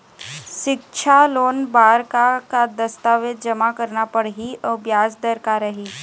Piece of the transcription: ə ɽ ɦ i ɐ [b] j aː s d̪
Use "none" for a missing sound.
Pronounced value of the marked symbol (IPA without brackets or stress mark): b